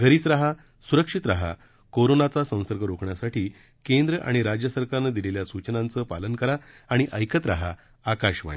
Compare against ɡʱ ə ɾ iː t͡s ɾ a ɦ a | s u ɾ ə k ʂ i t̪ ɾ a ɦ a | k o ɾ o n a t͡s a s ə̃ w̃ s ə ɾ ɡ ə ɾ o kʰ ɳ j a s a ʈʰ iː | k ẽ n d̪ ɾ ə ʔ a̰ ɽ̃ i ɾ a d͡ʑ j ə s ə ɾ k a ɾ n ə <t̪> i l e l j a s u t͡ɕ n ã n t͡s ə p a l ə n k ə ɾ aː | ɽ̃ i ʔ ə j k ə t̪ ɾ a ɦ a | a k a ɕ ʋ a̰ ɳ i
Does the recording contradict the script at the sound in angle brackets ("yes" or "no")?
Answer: yes